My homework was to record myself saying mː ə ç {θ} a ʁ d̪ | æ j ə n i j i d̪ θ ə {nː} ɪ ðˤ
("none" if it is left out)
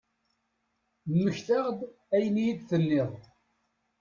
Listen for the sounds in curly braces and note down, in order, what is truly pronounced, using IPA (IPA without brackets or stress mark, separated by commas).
θ, nː